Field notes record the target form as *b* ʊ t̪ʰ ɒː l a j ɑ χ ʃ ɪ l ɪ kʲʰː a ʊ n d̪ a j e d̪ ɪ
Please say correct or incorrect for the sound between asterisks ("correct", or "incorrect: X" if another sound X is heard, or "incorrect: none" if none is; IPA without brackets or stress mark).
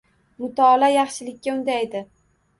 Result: incorrect: m